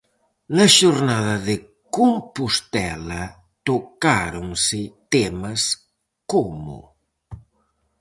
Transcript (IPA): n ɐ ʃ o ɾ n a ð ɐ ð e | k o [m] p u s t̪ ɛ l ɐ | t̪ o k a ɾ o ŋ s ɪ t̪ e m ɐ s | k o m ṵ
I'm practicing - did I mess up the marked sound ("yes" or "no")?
no